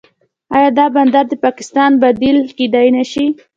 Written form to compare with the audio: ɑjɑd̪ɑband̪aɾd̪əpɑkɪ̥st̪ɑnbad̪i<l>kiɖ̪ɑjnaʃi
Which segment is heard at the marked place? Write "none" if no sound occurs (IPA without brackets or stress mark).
l